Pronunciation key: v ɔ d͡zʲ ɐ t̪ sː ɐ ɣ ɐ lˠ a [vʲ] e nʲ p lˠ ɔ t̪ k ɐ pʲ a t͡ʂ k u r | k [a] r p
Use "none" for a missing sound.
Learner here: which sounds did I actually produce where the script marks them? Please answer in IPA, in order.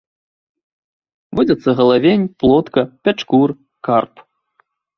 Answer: vʲ, a

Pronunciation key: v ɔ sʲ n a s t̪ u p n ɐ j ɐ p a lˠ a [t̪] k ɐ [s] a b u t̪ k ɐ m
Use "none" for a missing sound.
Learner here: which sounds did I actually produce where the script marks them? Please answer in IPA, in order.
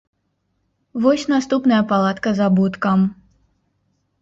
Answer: t̪, z

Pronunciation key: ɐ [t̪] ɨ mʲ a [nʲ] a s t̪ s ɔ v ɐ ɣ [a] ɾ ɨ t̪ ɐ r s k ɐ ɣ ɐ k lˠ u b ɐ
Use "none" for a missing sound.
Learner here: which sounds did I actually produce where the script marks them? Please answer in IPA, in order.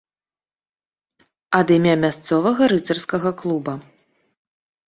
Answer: d̪, mʲ, ɐ

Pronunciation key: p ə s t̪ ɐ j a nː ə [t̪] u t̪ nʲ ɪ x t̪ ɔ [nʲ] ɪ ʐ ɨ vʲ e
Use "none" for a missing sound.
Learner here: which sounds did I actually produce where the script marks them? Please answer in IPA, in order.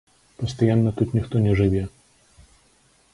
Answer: t̪, nʲ

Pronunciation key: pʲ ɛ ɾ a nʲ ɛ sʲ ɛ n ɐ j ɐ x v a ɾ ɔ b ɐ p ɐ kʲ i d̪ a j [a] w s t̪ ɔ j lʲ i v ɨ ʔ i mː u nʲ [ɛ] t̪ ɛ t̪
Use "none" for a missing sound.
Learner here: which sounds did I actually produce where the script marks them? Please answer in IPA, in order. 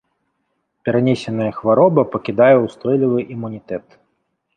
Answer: ɛ, i

